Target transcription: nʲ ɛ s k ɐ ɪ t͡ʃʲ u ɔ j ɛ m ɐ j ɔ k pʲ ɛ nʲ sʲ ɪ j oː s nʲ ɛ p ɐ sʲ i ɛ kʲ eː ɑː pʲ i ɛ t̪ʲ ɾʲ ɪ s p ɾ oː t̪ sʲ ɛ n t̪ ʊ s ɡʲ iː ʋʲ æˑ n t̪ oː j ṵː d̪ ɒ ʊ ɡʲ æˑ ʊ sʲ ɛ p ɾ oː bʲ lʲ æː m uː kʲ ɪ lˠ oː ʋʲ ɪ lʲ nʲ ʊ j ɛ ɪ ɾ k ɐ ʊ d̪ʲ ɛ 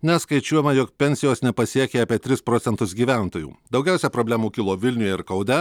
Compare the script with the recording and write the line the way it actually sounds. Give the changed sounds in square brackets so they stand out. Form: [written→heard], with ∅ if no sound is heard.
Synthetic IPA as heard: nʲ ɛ s k ɐ ɪ t͡ʃʲ u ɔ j ɛ m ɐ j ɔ k pʲ ɛ nʲ sʲ ɪ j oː s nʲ ɛ p ɐ sʲ i ɛ kʲ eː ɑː pʲ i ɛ t̪ʲ ɾʲ ɪ s p ɾ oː t̪ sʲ ɛ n t̪ ʊ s ɡʲ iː ʋʲ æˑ n t̪ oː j ṵː d̪ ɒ ʊ ɡʲ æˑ ʊ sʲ ɛ p ɾ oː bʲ lʲ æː m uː kʲ ɪ lˠ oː ʋʲ ɪ lʲ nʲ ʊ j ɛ ɪ ɾ k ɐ ʊ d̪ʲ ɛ